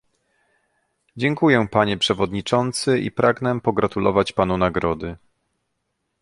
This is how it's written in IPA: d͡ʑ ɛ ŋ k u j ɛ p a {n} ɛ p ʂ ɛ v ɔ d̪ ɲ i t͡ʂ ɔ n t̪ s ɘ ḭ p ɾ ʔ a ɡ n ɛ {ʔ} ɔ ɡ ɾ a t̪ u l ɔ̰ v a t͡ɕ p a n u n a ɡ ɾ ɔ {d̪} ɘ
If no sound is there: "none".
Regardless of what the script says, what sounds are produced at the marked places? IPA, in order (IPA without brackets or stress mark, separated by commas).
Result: ɲ, p, d̪